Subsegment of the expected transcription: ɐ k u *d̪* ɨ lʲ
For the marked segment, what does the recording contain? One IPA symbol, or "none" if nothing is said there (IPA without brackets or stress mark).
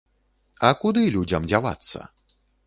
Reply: d̪